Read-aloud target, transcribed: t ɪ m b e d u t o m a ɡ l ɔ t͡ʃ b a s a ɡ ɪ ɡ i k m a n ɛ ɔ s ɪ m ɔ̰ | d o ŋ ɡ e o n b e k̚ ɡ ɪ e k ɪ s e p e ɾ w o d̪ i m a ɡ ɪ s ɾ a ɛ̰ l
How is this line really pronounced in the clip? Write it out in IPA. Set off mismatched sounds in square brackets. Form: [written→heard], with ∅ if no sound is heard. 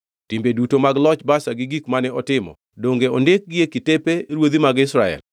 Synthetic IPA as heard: t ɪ m b e d u t o m a ɡ l ɔ t͡ʃ b a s a ɡ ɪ ɡ i k m a n ɛ ɔ [s→t] ɪ m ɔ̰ | d o ŋ ɡ e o n [b→d] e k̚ ɡ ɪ e k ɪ [s→t] e p e ɾ w o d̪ i m a ɡ ɪ s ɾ a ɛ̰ l